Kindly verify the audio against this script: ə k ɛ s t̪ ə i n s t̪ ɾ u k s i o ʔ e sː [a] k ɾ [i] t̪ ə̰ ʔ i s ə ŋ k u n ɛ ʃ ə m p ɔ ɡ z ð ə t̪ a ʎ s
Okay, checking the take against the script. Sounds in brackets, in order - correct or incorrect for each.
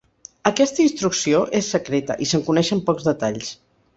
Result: incorrect: ə, incorrect: e

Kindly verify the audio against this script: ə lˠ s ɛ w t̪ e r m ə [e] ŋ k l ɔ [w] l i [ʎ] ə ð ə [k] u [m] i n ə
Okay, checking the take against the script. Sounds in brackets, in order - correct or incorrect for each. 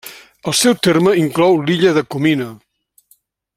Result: incorrect: i, correct, correct, correct, correct

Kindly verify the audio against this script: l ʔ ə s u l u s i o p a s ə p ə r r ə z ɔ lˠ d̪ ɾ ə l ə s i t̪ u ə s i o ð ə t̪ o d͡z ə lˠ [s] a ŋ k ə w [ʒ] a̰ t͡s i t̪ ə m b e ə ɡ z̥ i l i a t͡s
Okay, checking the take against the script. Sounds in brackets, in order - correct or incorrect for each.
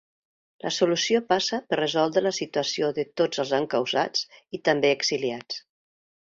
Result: incorrect: z, incorrect: z

